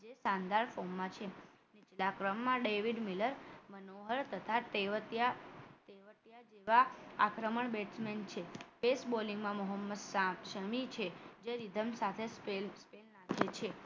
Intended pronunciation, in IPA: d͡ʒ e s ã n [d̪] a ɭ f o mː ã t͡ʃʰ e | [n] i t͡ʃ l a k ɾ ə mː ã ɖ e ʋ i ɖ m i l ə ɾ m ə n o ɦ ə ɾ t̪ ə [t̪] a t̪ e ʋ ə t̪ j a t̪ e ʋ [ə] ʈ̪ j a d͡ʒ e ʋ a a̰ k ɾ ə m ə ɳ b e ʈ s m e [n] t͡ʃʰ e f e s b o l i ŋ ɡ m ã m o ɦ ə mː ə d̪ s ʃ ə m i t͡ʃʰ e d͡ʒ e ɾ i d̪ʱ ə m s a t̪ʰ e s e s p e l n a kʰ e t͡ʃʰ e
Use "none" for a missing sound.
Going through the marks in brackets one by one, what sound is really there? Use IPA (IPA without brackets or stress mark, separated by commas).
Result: d̪, n, t̪ʰ, ə, n